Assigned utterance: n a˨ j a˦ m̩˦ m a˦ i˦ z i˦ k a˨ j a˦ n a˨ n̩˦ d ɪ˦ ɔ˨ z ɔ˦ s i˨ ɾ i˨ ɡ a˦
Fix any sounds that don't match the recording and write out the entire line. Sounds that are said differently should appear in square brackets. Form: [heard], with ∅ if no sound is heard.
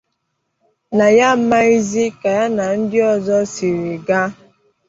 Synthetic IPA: n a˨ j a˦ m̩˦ m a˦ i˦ z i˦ k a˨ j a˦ n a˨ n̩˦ d ɪ˦ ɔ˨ z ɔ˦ s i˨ ɾ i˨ ɡ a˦